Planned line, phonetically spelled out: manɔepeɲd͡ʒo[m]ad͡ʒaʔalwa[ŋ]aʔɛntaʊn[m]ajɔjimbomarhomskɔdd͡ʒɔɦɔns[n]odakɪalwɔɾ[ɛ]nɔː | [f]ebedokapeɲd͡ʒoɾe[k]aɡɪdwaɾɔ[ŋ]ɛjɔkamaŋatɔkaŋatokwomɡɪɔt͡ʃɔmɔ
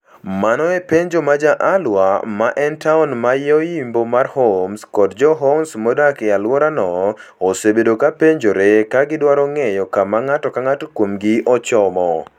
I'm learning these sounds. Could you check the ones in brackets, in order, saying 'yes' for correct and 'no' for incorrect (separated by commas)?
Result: yes, no, yes, no, no, no, yes, yes